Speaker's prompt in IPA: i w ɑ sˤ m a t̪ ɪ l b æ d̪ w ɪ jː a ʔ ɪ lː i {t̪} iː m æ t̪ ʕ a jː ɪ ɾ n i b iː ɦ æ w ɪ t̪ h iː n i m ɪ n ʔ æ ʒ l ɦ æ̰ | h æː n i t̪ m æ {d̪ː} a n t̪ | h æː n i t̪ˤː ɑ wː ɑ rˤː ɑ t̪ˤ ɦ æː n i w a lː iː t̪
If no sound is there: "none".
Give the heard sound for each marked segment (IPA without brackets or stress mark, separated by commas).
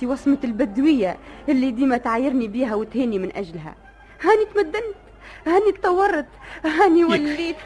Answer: d̪, d̪ː